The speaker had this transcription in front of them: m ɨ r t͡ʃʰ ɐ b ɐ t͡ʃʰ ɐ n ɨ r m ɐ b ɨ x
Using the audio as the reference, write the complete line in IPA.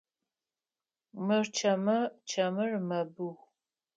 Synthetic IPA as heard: m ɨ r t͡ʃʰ ɐ m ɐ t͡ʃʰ ɐ m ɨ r m ɐ b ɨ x